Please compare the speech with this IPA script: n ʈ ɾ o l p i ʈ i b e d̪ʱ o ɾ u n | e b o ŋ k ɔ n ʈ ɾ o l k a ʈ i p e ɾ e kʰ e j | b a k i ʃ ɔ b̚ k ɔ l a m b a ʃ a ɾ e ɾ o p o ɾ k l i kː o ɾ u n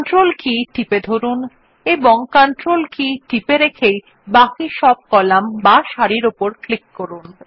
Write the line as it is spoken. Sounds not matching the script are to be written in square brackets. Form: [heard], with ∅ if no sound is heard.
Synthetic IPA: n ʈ ɾ o l [k] i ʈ i [p] e d̪ʱ o ɾ u n | e b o ŋ k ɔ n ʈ ɾ o l k [i] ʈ i p e ɾ e kʰ e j | b a k i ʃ ɔ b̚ k ɔ l a m b a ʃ a ɾ [i] ɾ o p o ɾ k l i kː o ɾ u n